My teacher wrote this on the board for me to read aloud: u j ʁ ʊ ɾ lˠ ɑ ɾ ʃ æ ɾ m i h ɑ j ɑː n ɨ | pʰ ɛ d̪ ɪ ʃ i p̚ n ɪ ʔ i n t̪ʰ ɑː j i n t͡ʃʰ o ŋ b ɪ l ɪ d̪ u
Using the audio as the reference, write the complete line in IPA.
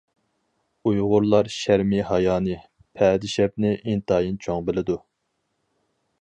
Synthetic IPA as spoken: u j ʁ ʊ ɾ lˠ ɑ ɾ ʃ æ ɾ m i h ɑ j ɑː n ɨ | pʰ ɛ d̪ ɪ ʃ ɛ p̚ n ɪ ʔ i n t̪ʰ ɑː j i n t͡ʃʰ o ŋ b ɪ l ɪ d̪ u

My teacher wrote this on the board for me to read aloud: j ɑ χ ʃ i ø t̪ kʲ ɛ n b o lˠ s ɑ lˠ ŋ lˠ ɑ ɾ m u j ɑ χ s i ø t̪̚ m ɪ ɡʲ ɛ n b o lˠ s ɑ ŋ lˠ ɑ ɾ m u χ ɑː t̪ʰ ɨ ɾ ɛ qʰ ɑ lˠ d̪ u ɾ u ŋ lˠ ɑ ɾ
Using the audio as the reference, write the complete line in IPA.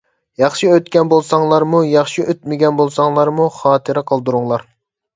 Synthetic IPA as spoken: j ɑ χ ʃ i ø t̪ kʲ ɛ n b o lˠ s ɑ ŋ lˠ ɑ ɾ m u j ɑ χ ʃ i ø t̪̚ m ɪ ɡʲ ɛ n b o lˠ s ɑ ŋ lˠ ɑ ɾ m u χ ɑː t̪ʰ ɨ ɾ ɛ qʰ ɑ lˠ d̪ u ɾ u ŋ lˠ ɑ ɾ

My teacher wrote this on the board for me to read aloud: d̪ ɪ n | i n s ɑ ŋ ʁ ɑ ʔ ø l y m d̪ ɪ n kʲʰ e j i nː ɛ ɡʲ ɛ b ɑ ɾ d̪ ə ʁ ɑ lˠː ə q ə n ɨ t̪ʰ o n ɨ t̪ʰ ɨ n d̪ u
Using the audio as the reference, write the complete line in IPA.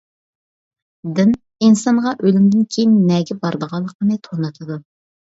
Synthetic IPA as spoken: d̪ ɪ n | i n s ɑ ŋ ʁ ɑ ʔ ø l y m d̪ ɪ n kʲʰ e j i nː ɛ ɡʲ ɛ b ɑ ɾ d̪ ə ʁ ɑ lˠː ə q ə n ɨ t̪ʰ o n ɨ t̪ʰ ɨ d̪ u

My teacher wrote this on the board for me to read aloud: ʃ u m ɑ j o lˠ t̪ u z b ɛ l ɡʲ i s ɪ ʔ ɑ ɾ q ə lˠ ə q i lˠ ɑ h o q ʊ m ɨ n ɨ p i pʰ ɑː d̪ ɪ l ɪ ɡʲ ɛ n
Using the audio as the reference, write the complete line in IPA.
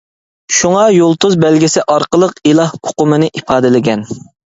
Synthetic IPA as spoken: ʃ u ŋ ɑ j o lˠ t̪ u z b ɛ l ɡʲ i s ɪ ʔ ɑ ɾ q ə lˠ ə q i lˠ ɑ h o q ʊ m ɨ n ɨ ʔ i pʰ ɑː d̪ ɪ l ɪ ɡʲ ɛ n

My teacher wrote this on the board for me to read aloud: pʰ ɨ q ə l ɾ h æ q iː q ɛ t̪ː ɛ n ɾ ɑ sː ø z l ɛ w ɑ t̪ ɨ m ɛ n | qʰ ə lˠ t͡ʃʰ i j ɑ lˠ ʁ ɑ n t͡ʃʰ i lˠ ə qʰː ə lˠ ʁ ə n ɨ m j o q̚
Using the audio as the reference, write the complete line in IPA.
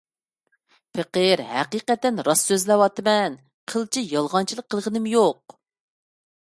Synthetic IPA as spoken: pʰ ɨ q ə ɾ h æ q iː q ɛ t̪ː ɛ n ɾ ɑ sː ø z l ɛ w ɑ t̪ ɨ m ɛ n | qʰ ə lˠ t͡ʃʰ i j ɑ lˠ ʁ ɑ n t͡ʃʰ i lˠ ə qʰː ə lˠ ʁ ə n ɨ m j o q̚

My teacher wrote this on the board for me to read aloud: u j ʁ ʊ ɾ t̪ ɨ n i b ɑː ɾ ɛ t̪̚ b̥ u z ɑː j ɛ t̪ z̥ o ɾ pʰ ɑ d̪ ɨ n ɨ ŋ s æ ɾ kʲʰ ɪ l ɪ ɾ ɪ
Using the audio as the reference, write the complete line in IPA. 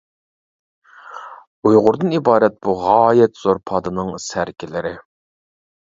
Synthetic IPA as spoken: u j ʁ ʊ ɾ d̪ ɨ n i b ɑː ɾ ɛ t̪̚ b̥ u ʁ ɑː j ɛ t̪ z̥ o ɾ pʰ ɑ d̪ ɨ n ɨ ŋ s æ ɾ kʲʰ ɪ l ɪ ɾ ɪ

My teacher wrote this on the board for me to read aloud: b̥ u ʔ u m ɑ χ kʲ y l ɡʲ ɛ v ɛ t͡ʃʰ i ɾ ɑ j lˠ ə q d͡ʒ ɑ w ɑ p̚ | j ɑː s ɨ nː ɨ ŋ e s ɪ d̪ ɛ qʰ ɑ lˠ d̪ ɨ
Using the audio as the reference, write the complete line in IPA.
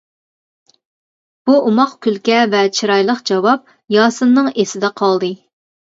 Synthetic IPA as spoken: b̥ u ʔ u m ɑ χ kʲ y l kʲ ɛ v ɛ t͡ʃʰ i ɾ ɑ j lˠ ə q d͡ʒ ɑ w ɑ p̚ | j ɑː s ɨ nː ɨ ŋ e s ɪ d̪ ɛ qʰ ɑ lˠ d̪ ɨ

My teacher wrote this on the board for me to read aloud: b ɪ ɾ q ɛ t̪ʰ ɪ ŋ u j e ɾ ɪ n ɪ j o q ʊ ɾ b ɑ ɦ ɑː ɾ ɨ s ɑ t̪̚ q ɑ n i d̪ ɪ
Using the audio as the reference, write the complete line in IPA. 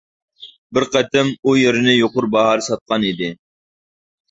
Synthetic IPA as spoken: b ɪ ɾ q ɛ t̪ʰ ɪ m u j e ɾ ɪ n ɪ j o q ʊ ɾ b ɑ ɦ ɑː ɾ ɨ s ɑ t̪̚ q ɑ n i d̪ ɪ

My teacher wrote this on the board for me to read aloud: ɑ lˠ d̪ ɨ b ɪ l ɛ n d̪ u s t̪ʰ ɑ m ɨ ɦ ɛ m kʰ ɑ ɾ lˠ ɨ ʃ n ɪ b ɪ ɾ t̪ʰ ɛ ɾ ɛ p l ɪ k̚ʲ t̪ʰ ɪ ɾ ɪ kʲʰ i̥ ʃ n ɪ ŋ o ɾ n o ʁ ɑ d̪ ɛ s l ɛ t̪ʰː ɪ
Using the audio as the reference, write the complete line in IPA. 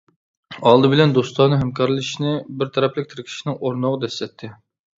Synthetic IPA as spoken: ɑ lˠ d̪ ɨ b ɪ l ɛ n d̪ o s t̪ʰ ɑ n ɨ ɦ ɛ m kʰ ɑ ɾ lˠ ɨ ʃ n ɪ b ɪ ɾ t̪ʰ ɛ ɾ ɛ p l ɪ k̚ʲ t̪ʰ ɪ ɾ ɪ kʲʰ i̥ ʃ n ɪ ŋ o ɾ n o ʁ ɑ d̪ ɛ s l ɛ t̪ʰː ɪ

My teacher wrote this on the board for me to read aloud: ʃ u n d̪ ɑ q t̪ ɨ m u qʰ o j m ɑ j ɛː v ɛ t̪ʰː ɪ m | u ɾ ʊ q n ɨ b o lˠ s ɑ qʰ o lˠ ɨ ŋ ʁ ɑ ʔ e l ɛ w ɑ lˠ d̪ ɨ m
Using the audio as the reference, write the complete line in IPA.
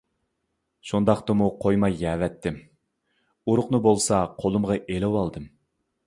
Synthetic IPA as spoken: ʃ u n d̪ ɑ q t̪ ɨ m u qʰ o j m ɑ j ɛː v ɛ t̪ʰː ɪ m | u ɾ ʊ q n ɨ b o lˠ s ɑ qʰ o lˠ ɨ m ʁ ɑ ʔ e l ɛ w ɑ lˠ d̪ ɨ m

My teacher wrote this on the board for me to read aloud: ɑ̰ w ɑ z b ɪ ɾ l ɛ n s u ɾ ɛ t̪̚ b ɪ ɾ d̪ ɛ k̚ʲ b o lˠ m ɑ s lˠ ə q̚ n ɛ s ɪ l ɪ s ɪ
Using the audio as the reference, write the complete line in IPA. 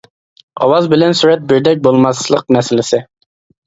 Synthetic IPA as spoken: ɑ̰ w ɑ z b ɪ l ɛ n s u ɾ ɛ t̪̚ b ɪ ɾ d̪ ɛ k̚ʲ b o lˠ m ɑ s lˠ ə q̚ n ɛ s ɪ l ɪ s ɪ

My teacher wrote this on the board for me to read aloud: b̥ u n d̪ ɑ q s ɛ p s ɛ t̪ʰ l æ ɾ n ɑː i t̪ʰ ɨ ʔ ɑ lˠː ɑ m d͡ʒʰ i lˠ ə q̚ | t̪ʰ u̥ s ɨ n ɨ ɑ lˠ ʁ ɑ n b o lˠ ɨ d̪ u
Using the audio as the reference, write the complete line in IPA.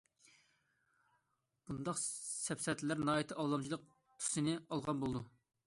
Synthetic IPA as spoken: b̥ u n d̪ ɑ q s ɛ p s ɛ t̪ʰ l æ ɾ n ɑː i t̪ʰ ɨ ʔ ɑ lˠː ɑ m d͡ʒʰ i lˠ ə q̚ | t̪ʰ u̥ s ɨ n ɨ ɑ lˠ ʁ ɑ n b o lˠ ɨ d̪ u

